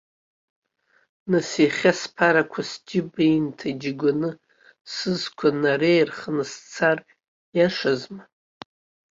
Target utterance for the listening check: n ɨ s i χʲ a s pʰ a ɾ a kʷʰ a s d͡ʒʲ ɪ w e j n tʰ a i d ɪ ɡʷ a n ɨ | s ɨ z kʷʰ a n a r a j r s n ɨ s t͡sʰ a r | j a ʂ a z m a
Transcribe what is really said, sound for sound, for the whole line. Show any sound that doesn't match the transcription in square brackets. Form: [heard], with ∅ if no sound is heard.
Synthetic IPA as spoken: n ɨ s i χʲ a s pʰ a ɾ a kʷʰ a s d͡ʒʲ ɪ [b] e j n tʰ a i [d͡ʒ] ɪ ɡʷ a n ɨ | s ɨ z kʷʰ a n a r [e] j r [χ] n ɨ s t͡sʰ a r | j a ʂ a z m a